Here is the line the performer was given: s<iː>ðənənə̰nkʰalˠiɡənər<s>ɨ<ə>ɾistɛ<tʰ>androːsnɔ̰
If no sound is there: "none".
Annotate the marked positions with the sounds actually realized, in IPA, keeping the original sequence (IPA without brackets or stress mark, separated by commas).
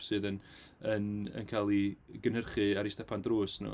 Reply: ɨː, χ, a, pʰ